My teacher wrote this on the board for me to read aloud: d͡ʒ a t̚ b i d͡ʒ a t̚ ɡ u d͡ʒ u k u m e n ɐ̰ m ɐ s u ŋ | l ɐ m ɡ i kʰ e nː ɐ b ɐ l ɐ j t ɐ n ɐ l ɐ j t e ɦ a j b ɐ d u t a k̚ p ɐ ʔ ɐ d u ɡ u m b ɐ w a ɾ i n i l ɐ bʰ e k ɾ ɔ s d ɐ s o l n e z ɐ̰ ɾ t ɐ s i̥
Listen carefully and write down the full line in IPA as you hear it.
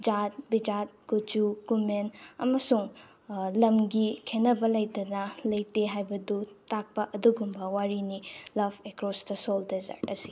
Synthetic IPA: d͡ʒ a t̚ b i d͡ʒ a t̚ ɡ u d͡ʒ u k u m e n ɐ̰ m ɐ s u ŋ | l ɐ m ɡ i kʰ e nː ɐ b ɐ l ɐ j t ɐ n ɐ l ɐ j t e ɦ a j b ɐ d u t a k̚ p ɐ ʔ ɐ d u ɡ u m b ɐ w a ɾ i n i l ɐ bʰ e k ɾ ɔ s d ɐ s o l d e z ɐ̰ ɾ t ɐ s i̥